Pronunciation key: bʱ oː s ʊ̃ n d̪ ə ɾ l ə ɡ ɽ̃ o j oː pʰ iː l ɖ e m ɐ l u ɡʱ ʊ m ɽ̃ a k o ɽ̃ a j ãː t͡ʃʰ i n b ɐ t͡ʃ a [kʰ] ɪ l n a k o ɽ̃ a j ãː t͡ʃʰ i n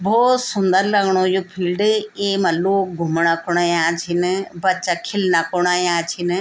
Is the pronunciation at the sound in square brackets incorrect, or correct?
correct